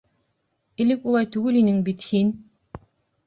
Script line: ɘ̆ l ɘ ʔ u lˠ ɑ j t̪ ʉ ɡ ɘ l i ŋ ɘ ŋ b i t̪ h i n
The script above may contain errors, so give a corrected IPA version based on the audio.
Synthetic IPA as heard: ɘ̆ l ɘ k u lˠ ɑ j t̪ ʉ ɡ ɘ l i n ɘ ŋ b i t̪ h i n